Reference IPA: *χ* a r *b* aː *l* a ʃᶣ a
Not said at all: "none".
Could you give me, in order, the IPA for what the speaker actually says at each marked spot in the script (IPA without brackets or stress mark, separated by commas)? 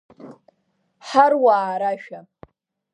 ħ, w, ɾ